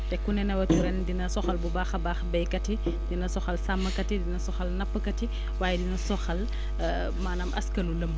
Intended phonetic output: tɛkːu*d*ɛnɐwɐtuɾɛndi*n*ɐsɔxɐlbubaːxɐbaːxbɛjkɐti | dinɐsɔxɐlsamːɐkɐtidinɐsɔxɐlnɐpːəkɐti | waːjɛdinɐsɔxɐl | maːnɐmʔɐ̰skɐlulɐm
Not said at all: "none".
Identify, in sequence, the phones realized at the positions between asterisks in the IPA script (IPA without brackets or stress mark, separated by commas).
n, n